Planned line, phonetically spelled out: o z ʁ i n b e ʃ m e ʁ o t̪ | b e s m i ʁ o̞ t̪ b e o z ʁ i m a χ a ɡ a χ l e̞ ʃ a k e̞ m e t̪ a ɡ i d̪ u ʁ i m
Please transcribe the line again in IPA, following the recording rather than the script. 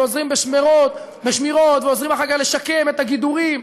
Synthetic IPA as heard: o z ʁ i m b e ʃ m e ʁ o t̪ | b e ʃ m i ʁ o̞ t̪ v e o z ʁ i m a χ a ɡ a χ l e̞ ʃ a k e̞ m e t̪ a ɡ i d̪ u ʁ i m